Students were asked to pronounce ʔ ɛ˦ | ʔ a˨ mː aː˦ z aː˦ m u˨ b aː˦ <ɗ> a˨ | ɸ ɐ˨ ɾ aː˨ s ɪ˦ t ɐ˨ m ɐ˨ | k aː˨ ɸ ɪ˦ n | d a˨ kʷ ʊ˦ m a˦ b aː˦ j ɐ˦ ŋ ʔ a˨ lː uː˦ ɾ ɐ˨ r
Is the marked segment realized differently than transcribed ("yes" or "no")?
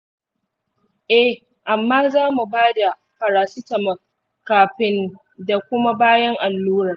yes